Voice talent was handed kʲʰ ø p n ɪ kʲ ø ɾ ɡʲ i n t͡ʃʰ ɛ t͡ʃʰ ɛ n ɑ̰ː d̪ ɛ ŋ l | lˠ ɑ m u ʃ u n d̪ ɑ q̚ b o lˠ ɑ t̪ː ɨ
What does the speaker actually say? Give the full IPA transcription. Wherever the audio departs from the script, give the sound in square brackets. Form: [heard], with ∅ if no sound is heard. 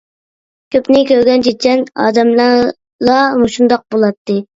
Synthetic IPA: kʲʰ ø p n ɪ kʲ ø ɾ ɡʲ [ɛ] n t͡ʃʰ [e] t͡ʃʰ ɛ n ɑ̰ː d̪ ɛ [m] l | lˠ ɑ m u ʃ u n d̪ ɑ q̚ b o lˠ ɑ t̪ː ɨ

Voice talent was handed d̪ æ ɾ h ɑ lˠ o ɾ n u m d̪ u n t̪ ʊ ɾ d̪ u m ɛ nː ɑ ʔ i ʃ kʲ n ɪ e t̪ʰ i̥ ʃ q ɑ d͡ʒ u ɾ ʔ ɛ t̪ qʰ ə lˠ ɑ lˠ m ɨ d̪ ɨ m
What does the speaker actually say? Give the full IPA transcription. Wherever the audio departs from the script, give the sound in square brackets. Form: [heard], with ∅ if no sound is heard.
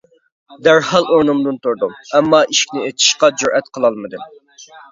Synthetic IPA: d̪ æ ɾ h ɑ lˠ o ɾ n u m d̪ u n t̪ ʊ ɾ d̪ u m ɛ [mː] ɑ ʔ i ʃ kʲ n ɪ e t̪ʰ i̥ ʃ q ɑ d͡ʒ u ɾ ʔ ɛ t̪ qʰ ə lˠ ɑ lˠ m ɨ d̪ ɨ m

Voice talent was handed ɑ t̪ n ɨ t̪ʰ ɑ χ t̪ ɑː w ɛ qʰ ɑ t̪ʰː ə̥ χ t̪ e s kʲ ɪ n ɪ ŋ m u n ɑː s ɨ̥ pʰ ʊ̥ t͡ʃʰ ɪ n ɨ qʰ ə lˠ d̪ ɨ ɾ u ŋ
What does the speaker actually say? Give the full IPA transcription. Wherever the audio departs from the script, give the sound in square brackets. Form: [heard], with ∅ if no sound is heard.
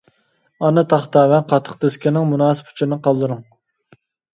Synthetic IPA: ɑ [∅] n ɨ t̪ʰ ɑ χ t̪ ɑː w ɛ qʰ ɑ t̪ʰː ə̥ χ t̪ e s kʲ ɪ n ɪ ŋ m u n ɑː s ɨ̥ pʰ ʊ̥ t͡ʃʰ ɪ n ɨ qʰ [ɑ] lˠ d̪ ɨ ɾ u ŋ

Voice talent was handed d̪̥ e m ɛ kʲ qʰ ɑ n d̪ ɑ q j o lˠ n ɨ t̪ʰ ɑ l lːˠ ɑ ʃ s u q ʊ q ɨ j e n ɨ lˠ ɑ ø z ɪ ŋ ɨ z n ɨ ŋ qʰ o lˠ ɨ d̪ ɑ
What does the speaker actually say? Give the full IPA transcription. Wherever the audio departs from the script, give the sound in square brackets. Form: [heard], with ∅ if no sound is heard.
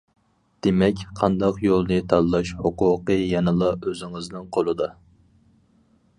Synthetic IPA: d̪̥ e m ɛ kʲ qʰ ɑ n d̪ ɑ q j o lˠ n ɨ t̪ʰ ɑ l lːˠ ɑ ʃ [h] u q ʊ q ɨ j [ɛ] n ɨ lˠ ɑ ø z ɪ ŋ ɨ z n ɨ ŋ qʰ o lˠ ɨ d̪ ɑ

